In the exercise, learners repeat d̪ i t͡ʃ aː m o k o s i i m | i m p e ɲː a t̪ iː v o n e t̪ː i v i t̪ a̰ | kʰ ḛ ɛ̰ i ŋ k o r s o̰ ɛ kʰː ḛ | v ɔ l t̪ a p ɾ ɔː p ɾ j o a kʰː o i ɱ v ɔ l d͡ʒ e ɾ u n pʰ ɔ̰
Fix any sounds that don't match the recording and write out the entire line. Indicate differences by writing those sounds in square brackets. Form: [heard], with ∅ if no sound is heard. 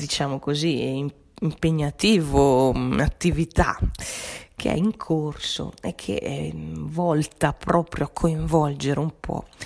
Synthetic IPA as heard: d̪ i t͡ʃ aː m o k o [z] i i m | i m p e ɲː a t̪ iː v o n [a] t̪ː i v i t̪ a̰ | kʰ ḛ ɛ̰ i ŋ [kʰ] o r s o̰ ɛ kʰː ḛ | v ɔ l t̪ a p ɾ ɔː p ɾ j o a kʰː o i ɱ v ɔ l d͡ʒ e ɾ u [m] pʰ ɔ̰